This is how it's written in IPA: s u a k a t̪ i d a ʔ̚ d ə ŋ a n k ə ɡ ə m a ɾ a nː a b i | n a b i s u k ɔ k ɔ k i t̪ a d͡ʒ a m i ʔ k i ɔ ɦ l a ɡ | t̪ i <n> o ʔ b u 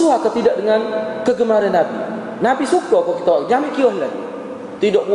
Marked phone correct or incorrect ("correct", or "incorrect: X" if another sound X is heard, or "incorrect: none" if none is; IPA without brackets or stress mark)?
incorrect: d